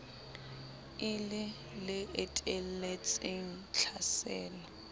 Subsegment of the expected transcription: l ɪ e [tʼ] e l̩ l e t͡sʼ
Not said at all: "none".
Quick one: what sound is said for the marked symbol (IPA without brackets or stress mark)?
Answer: tʼ